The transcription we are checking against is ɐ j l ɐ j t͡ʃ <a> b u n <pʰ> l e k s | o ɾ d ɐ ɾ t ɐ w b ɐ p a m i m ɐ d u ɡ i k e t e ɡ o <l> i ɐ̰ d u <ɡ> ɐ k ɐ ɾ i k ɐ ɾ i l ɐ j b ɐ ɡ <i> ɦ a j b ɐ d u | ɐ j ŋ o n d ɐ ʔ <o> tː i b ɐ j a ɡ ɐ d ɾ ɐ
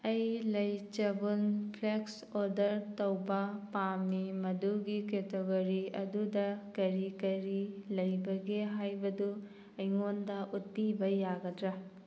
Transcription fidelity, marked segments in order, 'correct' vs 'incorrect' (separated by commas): incorrect, correct, incorrect, incorrect, incorrect, incorrect